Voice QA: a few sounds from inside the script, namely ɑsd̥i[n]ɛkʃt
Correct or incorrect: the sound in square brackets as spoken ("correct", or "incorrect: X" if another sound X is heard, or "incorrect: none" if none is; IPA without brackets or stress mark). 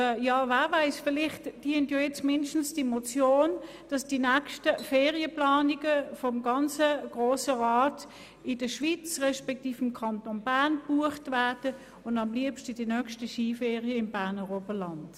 correct